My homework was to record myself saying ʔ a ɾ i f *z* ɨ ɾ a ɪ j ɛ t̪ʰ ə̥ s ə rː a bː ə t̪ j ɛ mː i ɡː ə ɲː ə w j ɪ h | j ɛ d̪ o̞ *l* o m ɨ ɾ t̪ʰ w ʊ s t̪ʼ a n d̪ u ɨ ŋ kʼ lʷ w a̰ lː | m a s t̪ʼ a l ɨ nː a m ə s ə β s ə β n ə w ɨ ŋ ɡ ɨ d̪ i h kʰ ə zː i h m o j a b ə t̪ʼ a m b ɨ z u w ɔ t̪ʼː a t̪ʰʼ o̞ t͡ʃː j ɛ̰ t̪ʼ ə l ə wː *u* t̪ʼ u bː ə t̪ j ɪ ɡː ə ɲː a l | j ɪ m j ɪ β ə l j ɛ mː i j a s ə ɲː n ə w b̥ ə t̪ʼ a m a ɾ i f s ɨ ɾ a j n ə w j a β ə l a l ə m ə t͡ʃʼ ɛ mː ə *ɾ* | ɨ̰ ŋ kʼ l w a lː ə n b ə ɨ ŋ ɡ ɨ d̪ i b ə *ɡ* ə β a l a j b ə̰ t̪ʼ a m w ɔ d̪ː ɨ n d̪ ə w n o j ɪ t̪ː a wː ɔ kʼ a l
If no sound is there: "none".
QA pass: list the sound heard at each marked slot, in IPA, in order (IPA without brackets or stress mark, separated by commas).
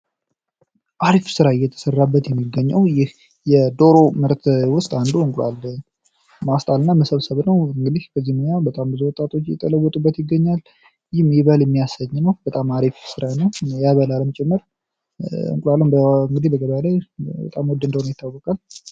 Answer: s, ɾ, ɔ, ɾ, ɡ